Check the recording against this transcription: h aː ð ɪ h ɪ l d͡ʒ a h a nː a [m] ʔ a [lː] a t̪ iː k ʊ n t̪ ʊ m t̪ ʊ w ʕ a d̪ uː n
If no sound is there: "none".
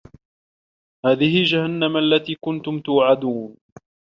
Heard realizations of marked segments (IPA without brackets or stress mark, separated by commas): m, lː